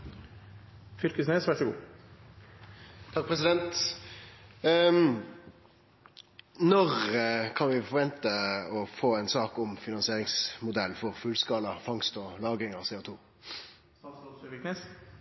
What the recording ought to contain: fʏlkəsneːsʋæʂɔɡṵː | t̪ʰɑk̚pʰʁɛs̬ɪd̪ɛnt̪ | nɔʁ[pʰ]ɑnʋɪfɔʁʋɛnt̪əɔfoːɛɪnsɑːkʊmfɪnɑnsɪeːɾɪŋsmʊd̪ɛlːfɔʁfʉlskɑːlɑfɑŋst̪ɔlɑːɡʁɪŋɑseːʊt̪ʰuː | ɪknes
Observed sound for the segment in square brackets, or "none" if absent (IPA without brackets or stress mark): kʰ